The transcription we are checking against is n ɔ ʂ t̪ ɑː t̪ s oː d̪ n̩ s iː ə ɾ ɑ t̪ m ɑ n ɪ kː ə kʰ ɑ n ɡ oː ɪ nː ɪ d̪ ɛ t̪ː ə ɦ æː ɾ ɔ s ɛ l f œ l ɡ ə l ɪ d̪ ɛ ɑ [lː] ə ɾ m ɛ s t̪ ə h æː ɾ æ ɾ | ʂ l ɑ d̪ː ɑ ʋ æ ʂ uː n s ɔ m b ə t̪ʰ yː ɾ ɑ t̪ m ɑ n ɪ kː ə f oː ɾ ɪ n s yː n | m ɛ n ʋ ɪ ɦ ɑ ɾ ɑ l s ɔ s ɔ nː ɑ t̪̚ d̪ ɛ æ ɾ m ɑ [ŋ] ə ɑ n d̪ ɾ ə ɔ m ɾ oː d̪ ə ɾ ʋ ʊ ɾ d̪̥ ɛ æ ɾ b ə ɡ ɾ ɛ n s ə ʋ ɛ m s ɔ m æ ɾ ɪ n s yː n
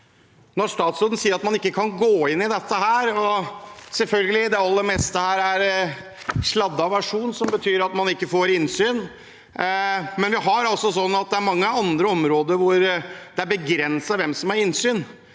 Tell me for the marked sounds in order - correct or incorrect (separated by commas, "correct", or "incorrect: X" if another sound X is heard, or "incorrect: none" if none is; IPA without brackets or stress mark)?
correct, incorrect: ŋː